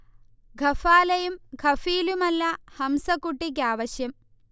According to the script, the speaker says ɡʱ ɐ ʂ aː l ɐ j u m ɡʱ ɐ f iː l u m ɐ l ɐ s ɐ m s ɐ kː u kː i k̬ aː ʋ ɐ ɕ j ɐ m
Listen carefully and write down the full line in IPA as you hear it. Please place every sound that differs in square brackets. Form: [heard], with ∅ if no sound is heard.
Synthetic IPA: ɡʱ ɐ [f] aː l ɐ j u m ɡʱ ɐ f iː l u m ɐ [lː] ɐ [h] ɐ m s ɐ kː u [ʈː] i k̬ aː ʋ ɐ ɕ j ɐ m